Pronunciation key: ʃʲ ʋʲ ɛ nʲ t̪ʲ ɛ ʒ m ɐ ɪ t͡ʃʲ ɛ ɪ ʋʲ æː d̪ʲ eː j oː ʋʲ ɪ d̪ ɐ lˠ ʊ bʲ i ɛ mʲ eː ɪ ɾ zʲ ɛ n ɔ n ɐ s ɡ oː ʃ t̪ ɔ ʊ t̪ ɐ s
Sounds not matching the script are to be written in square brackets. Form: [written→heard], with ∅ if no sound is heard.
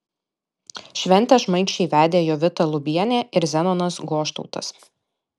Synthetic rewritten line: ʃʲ ʋʲ ɛ nʲ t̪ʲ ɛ ʒ m ɐ ɪ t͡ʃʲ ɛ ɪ ʋʲ æː d̪ʲ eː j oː ʋʲ ɪ [d̪→t̪] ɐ lˠ ʊ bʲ i ɛ [mʲ→nʲ] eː ɪ ɾ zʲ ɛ n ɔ n ɐ s ɡ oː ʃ t̪ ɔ ʊ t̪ ɐ s